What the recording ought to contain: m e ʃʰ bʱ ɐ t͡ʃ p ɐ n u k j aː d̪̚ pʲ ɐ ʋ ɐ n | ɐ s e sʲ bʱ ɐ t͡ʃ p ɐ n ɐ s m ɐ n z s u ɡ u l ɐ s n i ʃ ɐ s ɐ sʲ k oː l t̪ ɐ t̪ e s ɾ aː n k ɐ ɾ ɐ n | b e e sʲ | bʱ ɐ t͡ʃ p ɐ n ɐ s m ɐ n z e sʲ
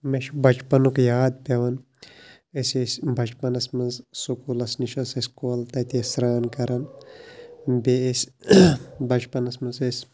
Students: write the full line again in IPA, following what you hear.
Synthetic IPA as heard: m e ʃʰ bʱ ɐ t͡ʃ p ɐ n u k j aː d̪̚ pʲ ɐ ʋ ɐ n | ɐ s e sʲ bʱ ɐ t͡ʃ p ɐ n ɐ s m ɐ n z s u k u l ɐ s n i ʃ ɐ s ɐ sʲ k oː l t̪ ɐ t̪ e s ɾ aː n k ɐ ɾ ɐ n | b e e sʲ | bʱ ɐ t͡ʃ p ɐ n ɐ s m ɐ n z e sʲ